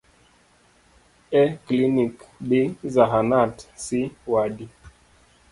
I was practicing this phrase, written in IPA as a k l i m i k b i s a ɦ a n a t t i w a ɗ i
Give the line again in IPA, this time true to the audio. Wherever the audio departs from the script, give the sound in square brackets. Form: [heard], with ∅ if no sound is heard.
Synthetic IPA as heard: [ɛ] k l i [n] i k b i [z] a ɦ a n a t [s] i w a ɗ i